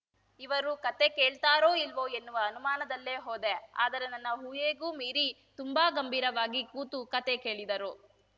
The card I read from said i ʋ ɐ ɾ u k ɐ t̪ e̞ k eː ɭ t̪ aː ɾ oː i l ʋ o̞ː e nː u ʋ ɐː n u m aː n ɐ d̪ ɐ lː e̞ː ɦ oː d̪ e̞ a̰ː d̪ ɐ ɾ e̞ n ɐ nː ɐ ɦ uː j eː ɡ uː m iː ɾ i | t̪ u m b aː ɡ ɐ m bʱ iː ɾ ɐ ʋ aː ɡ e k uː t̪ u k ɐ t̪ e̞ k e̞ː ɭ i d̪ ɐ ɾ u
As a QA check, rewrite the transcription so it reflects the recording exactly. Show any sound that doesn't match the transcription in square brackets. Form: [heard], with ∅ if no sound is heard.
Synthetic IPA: i ʋ ɐ ɾ u k ɐ t̪ e̞ k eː ɭ t̪ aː ɾ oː i l ʋ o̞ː e nː u ʋ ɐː n u m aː n ɐ d̪ ɐ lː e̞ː ɦ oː d̪ e̞ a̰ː d̪ ɐ ɾ e̞ n ɐ nː ɐ ɦ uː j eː ɡ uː m iː ɾ i | t̪ u m b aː ɡ ɐ m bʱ iː ɾ ɐ ʋ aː ɡ [i] k uː t̪ u k ɐ t̪ e̞ k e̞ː ɭ i d̪ ɐ ɾ u